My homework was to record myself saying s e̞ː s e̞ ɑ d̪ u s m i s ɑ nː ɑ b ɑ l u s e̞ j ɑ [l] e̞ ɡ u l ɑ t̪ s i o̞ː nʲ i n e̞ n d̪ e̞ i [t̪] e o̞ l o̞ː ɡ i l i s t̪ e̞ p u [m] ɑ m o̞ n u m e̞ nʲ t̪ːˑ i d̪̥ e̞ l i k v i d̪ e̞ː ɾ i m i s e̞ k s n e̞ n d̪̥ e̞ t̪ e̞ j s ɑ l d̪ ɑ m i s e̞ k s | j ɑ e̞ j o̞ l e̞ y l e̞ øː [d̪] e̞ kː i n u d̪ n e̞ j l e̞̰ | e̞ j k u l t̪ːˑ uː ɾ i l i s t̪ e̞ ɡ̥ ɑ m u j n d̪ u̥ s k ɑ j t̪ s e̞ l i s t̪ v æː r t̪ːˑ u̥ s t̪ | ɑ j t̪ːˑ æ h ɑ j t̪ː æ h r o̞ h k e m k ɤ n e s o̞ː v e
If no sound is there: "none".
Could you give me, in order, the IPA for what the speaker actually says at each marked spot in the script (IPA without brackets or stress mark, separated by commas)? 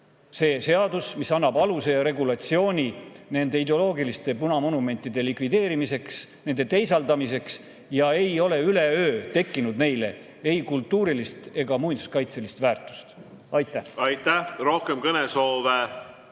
ɾ, d̪, n, t̪